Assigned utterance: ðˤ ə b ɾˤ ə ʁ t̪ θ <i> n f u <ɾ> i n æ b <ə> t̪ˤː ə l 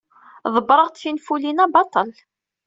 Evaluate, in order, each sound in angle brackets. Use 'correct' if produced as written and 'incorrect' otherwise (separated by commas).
correct, incorrect, incorrect